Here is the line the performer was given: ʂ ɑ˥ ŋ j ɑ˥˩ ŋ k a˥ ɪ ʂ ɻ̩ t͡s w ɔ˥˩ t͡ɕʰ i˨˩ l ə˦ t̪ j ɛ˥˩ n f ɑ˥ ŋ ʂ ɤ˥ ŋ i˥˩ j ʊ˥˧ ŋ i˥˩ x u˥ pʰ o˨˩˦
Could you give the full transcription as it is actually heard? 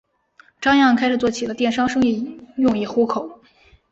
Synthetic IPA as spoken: ʈ͡ʂ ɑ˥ ŋ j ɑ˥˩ ŋ kʰ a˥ ɪ ʂ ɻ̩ t͡s w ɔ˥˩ t͡ɕʰ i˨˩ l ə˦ t̪ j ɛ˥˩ n ʂ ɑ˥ ŋ ʂ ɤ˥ ŋ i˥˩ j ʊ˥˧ ŋ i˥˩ x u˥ kʰ o˨˩˦

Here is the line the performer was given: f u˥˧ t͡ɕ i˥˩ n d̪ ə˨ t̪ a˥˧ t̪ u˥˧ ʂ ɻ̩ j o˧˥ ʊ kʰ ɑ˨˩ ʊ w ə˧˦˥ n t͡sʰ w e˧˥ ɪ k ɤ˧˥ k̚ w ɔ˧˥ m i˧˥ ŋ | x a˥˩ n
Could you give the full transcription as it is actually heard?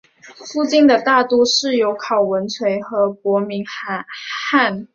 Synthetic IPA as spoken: f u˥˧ t͡ɕ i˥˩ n d̪ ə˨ t̪ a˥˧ t̪ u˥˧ ʂ ɻ̩ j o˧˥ ʊ kʰ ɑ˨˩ ʊ w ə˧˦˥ n t͡sʰ w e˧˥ ɪ x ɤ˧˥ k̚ w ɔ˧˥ m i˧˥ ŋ | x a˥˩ n

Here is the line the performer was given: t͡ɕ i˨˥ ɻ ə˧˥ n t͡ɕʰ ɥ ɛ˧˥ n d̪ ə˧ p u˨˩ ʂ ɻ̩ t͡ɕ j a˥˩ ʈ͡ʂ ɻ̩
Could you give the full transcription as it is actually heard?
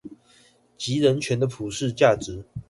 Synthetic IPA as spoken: t͡ɕ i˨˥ ɻ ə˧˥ n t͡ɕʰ ɥ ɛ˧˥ n d̪ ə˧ pʰ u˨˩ ʂ ɻ̩ t͡ɕ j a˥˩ ʈ͡ʂ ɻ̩

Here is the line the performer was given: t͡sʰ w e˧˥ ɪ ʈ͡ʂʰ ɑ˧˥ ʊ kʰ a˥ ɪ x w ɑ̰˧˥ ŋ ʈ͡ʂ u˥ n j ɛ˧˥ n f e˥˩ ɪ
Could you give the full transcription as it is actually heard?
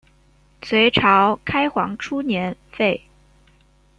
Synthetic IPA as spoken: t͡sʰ w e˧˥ ɪ ʈ͡ʂʰ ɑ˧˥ ʊ kʰ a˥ ɪ x w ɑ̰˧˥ ŋ ʈ͡ʂʰ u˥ n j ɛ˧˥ n f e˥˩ ɪ

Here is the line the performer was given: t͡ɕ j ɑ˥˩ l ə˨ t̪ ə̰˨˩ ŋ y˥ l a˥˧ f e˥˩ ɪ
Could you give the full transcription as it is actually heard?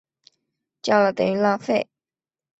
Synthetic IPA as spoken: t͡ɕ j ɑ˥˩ l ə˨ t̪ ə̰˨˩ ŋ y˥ l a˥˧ f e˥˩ ɪ

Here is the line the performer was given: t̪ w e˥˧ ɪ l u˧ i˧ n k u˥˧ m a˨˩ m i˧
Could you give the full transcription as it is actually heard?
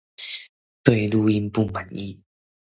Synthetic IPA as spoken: t̪ w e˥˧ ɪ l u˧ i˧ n p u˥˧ m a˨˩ n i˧

